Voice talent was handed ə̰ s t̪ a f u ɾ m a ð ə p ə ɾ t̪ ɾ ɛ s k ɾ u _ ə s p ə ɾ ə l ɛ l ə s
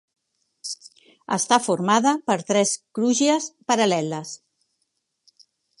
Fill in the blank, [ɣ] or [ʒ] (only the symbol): ʒ